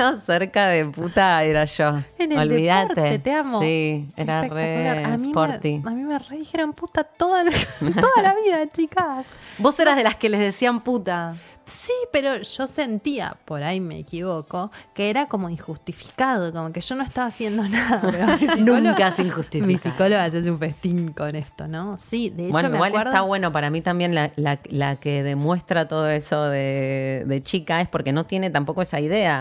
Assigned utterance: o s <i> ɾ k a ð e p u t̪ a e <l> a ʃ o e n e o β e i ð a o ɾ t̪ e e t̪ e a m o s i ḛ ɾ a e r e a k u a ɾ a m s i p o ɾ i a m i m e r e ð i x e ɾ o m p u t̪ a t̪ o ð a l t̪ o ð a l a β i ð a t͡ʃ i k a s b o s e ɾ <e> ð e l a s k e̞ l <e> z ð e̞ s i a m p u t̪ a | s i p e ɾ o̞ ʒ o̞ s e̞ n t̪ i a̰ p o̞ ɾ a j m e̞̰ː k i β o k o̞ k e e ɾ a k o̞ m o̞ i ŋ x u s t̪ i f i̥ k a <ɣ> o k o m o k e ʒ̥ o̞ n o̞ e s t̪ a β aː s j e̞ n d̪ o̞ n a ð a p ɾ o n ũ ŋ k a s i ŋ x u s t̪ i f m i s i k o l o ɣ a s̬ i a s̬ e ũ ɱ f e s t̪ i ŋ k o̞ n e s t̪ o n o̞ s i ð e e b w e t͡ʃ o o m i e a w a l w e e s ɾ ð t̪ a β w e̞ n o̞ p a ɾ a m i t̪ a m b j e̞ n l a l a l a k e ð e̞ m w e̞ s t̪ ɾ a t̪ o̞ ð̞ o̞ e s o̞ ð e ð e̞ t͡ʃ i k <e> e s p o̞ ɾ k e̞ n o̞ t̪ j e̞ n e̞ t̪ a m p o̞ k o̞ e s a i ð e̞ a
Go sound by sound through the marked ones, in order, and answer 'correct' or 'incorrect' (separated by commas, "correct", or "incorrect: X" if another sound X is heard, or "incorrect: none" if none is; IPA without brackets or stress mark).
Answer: incorrect: e, incorrect: ɾ, incorrect: a, correct, incorrect: ð, incorrect: a